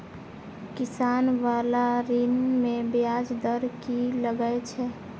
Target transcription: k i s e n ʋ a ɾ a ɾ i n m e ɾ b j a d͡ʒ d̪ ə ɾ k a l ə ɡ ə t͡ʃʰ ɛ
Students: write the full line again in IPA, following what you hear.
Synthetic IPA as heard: k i s a n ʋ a l a ɾ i n m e b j a d͡ʒ d̪ ə ɾ k i l ə ɡ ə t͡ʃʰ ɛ